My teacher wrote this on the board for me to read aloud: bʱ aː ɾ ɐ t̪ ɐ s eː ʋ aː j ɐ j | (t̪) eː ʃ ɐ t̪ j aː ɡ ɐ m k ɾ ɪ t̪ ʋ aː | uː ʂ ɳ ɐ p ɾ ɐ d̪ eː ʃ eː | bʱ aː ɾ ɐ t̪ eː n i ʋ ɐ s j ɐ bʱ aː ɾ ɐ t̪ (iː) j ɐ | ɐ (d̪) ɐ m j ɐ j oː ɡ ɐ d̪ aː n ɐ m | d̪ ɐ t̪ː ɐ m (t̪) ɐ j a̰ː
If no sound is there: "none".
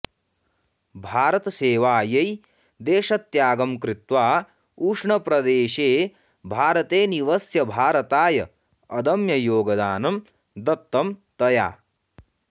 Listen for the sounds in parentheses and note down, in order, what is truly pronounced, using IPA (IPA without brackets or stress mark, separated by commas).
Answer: d̪, aː, d̪, t̪